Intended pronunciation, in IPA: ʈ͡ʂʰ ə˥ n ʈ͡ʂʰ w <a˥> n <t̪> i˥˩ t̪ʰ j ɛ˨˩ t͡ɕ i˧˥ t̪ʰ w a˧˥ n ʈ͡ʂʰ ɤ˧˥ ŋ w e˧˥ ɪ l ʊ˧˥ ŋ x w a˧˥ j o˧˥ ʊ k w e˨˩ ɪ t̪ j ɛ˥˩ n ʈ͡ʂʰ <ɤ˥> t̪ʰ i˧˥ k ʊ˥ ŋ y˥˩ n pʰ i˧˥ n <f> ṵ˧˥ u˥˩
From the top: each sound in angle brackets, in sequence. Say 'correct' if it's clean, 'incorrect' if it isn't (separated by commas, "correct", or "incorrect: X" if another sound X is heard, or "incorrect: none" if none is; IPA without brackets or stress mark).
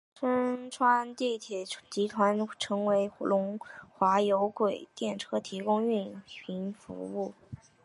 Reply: correct, correct, correct, correct